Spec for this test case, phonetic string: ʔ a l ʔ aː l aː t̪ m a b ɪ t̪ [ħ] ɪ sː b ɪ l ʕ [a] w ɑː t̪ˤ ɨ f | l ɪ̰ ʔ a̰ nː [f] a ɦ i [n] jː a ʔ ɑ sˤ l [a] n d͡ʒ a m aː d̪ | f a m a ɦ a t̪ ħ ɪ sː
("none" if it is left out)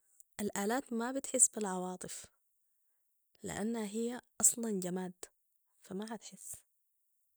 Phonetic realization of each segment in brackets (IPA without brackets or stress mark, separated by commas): ħ, ɑ, h, none, ɑ